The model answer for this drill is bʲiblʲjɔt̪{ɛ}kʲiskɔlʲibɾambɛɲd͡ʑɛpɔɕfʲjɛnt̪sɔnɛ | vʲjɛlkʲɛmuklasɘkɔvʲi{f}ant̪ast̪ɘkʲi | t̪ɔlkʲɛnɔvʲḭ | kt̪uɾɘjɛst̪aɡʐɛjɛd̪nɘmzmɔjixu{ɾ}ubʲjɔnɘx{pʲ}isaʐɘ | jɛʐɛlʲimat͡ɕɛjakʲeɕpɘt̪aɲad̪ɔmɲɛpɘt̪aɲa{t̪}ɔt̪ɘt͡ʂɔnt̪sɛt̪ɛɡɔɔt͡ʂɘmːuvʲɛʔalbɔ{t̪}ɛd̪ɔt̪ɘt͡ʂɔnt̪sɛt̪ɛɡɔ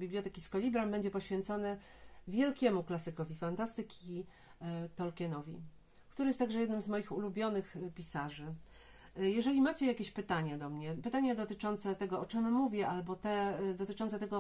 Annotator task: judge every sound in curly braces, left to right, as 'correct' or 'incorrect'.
correct, correct, incorrect: l, correct, incorrect: d̪, correct

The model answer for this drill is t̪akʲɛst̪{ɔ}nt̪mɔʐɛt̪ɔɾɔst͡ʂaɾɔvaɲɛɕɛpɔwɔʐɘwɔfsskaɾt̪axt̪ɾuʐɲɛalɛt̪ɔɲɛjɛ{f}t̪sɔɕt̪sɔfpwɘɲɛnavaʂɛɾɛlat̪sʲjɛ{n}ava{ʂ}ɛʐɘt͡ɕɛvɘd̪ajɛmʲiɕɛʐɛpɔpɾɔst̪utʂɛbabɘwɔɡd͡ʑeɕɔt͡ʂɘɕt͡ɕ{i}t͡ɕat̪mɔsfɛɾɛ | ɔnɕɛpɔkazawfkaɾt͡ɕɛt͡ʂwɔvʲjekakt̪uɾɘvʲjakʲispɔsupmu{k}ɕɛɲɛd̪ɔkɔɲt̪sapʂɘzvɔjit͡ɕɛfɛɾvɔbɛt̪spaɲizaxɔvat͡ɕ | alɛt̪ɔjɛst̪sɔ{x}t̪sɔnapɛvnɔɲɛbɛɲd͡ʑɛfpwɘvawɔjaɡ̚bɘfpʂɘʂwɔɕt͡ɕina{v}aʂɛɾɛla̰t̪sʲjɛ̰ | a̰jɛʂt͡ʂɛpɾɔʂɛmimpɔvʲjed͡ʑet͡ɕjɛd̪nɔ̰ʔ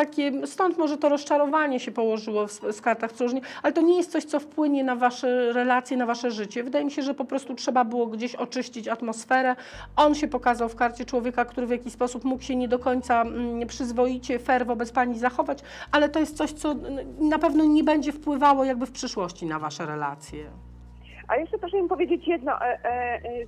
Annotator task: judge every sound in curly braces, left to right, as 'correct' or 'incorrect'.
correct, incorrect: s, correct, correct, correct, correct, incorrect: ɕ, correct

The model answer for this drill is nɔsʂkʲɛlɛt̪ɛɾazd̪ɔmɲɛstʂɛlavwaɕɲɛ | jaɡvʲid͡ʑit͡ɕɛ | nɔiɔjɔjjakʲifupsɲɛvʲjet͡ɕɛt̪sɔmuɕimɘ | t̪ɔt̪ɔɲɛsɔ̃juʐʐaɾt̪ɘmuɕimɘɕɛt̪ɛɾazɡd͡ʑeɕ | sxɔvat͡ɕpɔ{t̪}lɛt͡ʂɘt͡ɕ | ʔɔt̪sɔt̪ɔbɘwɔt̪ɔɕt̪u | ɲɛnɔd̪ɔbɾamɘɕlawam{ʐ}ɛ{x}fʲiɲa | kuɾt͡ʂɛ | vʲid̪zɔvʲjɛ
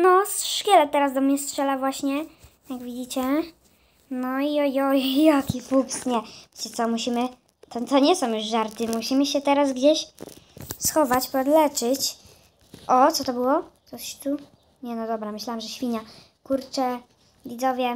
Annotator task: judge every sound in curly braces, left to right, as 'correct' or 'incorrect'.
incorrect: d̪, correct, incorrect: ɕ

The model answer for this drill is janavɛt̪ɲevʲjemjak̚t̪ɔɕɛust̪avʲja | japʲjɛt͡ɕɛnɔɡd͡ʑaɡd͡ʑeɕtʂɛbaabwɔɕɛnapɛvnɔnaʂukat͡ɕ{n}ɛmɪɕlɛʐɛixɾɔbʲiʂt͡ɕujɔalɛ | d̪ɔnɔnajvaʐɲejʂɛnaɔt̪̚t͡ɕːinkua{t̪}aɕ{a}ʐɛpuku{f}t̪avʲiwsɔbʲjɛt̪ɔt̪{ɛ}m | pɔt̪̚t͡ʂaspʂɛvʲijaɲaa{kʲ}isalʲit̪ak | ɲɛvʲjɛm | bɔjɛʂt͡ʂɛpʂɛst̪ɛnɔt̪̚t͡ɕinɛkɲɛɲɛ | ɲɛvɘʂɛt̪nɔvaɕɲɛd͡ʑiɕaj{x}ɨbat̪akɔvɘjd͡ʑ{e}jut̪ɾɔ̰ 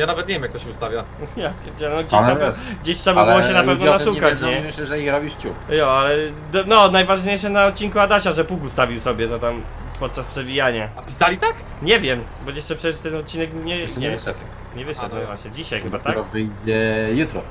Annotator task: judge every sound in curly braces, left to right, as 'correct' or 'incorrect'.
incorrect: ɲ, incorrect: d̪, correct, incorrect: s, incorrect: a, incorrect: pʲ, correct, incorrect: ɛ

